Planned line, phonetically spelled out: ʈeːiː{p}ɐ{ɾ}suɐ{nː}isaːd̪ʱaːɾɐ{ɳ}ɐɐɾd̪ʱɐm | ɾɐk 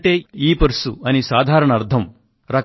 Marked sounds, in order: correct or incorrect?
correct, correct, incorrect, correct

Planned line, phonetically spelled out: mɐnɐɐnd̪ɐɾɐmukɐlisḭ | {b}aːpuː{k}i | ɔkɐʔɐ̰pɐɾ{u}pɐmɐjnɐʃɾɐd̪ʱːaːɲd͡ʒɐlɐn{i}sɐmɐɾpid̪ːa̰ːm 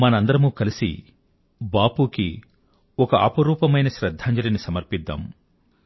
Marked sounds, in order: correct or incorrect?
correct, correct, incorrect, correct

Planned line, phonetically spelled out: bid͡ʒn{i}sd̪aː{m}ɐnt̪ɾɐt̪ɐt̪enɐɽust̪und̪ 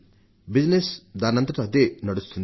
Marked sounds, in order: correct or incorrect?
incorrect, incorrect

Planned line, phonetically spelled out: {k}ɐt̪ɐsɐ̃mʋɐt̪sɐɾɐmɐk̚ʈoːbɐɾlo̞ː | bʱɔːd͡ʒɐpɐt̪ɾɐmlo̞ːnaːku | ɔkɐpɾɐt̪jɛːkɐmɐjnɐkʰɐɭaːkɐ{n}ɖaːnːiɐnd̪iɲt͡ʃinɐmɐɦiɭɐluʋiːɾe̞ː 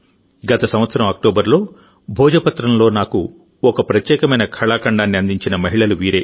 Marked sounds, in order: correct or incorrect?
incorrect, incorrect

